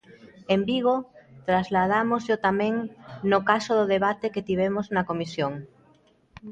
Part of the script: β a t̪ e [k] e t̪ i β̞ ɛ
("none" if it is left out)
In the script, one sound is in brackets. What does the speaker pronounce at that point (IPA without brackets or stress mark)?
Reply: k